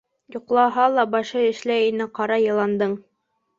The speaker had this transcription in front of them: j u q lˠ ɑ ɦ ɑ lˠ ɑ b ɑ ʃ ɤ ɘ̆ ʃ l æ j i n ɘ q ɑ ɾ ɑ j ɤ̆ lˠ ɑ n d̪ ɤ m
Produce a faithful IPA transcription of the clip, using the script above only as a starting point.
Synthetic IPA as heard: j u q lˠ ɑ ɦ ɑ lˠ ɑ b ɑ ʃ ɤ ɘ̆ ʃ l æ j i n ɘ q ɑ ɾ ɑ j ɤ̆ lˠ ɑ n d̪ ɤ ɴ